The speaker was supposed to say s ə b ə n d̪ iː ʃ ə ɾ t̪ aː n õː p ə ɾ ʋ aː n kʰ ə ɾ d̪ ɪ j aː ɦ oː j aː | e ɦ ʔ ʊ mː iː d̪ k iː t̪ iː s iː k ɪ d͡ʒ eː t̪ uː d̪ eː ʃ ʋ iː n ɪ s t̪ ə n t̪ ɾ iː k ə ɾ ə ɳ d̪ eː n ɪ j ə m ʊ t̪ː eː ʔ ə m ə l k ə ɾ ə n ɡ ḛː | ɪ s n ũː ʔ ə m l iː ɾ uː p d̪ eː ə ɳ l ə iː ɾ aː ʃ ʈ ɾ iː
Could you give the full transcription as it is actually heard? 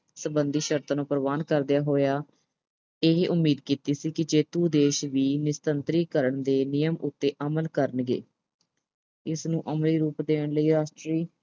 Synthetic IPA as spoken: s ə b ə n d̪ iː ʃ ə ɾ t̪ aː n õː p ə ɾ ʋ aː n k ə ɾ d̪ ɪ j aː ɦ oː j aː | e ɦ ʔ ʊ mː iː d̪ k iː t̪ iː s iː k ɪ d͡ʒ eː t̪ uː d̪ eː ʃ ʋ iː n ɪ s t̪ ə n t̪ ɾ iː k ə ɾ ə ɳ d̪ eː n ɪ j ə m ʊ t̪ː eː ʔ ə m ə l k ə ɾ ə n ɡ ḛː | ɪ s n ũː ʔ ə m l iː ɾ uː p d̪ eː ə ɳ l ə iː ɾ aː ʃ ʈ ɾ iː